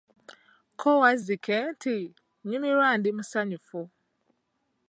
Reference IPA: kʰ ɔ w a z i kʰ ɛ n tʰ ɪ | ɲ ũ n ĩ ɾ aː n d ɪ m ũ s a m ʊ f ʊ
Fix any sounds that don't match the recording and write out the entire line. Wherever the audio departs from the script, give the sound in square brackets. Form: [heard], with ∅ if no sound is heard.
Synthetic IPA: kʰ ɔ w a z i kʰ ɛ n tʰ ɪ | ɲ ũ [m] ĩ ɾ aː n d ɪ m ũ s a [ɲ] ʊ f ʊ